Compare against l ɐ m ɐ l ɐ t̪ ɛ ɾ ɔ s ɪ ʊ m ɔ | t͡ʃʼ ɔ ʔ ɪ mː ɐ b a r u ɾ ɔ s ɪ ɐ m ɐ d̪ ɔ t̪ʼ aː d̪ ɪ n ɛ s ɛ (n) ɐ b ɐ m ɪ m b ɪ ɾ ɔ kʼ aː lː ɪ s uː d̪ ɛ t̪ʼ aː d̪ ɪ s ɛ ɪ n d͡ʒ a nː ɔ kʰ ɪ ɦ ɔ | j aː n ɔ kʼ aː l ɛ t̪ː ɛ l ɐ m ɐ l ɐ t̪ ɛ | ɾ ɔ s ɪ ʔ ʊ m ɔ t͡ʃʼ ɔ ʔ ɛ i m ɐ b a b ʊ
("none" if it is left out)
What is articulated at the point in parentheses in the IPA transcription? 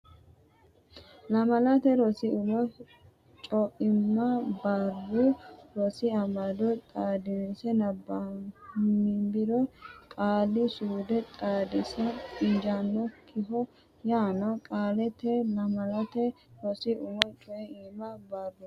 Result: n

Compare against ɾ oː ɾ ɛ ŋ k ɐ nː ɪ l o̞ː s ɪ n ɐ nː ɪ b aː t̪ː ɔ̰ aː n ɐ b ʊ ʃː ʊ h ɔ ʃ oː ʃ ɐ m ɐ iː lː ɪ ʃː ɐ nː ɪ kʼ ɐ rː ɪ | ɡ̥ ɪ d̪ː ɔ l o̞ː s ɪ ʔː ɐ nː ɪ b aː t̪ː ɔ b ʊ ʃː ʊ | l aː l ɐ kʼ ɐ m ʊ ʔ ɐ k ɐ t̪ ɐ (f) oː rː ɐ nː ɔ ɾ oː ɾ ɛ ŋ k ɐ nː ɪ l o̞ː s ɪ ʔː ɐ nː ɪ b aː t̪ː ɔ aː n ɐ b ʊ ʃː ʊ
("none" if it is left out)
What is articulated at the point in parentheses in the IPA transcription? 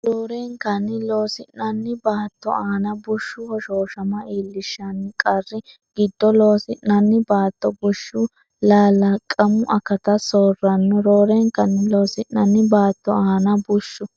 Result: s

